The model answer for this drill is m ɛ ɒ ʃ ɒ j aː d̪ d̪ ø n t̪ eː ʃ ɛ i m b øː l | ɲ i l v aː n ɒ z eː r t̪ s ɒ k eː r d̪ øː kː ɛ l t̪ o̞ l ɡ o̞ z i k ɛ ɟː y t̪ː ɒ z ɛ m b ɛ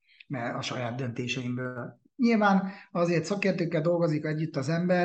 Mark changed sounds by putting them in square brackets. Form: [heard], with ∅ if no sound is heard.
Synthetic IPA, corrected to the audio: m ɛ ɒ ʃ ɒ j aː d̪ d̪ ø n t̪ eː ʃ ɛ i m b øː l | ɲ i l v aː n ɒ z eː r t̪ s ɒ k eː r [t̪] øː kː ɛ l [d̪] o̞ l ɡ o̞ z i k ɛ ɟː y t̪ː ɒ z ɛ m b ɛ